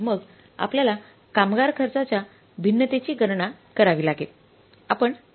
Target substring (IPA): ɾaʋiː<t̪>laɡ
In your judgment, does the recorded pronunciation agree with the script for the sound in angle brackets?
no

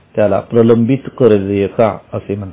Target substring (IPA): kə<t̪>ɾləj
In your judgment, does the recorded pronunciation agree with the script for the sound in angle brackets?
no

